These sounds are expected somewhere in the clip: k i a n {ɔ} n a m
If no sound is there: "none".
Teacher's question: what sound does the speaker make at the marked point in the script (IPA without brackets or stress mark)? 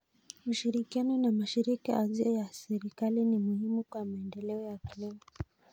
ɔ